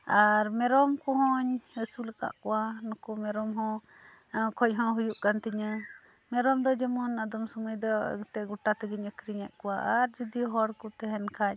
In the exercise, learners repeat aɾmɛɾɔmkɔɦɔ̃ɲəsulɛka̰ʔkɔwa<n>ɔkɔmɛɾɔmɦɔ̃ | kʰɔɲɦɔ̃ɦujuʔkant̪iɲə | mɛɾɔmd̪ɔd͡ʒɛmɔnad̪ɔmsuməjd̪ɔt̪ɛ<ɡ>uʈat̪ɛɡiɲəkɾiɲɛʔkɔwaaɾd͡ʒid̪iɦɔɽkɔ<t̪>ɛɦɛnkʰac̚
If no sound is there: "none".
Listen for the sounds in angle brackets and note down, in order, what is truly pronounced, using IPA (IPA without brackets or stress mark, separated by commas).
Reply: n, ɡ, t̪